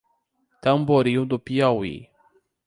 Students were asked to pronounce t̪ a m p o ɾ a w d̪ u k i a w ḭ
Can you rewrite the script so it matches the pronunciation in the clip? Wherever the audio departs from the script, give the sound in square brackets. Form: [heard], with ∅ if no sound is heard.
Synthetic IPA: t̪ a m [b] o ɾ [i] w d̪ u [p] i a w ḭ